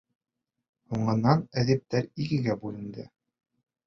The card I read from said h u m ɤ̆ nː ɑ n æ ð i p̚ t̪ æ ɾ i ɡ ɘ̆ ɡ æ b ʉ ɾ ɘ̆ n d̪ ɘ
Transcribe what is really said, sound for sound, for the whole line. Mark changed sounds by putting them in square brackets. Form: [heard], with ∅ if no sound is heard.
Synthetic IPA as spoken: h u [ɴ] ɤ̆ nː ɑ n æ ð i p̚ t̪ æ ɾ i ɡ ɘ̆ ɡ æ b ʉ [l] ɘ̆ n d̪ ɘ